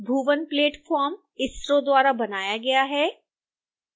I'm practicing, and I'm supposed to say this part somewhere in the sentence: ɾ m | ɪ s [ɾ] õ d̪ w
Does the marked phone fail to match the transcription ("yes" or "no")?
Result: no